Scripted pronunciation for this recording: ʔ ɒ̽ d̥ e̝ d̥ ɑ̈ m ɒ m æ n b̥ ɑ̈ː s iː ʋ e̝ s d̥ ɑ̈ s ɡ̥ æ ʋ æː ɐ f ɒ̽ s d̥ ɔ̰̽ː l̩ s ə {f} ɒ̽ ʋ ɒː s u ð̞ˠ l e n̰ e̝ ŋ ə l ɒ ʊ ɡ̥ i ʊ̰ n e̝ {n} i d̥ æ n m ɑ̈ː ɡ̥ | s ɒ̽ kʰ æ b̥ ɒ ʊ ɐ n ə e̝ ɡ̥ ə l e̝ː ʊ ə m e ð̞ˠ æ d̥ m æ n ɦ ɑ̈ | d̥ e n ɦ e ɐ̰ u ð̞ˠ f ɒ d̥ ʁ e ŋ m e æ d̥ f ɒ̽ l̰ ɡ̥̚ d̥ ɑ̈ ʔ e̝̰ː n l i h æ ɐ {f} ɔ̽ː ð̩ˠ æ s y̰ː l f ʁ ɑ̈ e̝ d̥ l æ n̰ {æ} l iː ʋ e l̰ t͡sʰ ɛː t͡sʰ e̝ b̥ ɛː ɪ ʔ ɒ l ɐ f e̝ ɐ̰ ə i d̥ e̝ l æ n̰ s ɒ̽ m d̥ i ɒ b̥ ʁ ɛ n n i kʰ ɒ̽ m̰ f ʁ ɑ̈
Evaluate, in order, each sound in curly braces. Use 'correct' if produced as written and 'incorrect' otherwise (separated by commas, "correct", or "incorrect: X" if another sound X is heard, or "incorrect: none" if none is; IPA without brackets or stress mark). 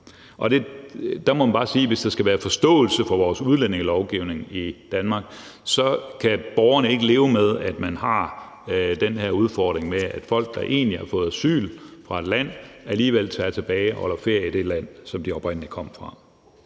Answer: correct, incorrect: ŋ, correct, correct